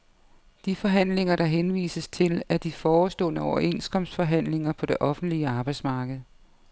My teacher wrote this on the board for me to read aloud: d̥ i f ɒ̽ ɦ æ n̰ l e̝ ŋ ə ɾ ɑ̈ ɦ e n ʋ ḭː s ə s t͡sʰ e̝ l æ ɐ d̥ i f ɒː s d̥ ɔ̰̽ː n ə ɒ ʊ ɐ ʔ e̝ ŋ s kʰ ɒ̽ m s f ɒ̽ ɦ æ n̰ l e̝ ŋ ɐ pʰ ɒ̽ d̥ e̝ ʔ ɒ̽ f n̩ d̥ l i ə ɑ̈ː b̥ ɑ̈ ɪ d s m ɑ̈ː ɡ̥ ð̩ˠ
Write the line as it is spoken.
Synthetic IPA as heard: d̥ i f ɒ̽ ɦ æ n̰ l e̝ ŋ ɐ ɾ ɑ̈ ɦ e n ʋ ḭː s ə s t͡sʰ e̝ l æ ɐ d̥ i f ɒː s d̥ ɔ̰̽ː n ə ɒ ʊ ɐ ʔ e̝ n s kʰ ɒ̽ m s f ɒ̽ ɦ æ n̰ l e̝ ŋ ɐ pʰ ɒ̽ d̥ e̝ ʔ ɒ̽ f n̩ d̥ l i ə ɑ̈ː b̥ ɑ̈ ɪ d s m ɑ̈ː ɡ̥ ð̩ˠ